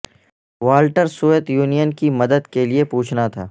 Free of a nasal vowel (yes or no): yes